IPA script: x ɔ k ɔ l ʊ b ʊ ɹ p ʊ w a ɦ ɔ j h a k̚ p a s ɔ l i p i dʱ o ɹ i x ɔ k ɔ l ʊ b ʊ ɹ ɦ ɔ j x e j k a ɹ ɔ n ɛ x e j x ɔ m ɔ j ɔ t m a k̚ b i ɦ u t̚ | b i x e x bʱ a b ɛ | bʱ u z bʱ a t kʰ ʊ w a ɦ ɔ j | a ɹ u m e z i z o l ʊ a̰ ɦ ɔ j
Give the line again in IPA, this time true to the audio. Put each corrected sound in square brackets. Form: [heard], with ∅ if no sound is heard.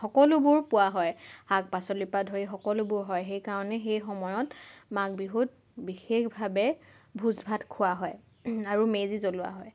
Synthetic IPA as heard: x ɔ k ɔ l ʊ b ʊ ɹ p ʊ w a ɦ ɔ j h a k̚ p a s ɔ l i p [a] dʱ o ɹ i x ɔ k ɔ l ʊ b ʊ ɹ ɦ ɔ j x e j k a ɹ ɔ n ɛ x e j x ɔ m ɔ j ɔ t m a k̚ b i ɦ u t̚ | b i x e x bʱ a b ɛ | bʱ u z bʱ a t kʰ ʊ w a ɦ ɔ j | a ɹ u m e z i z o l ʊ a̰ ɦ ɔ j